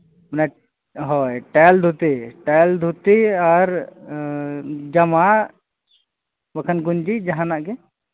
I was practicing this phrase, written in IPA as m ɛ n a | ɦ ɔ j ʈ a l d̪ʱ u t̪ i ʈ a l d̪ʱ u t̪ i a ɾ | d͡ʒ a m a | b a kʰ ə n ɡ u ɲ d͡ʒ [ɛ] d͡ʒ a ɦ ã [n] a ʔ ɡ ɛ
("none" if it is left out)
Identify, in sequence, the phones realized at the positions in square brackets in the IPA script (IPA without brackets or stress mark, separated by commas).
i, n